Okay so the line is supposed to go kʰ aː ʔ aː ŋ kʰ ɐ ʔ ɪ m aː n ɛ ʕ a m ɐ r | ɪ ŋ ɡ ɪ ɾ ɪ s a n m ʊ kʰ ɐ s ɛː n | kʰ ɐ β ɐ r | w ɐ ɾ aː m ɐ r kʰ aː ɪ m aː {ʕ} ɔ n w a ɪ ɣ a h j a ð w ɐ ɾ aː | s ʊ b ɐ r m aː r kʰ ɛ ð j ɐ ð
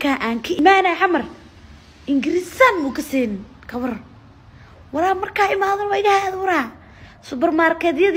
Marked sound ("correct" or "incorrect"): incorrect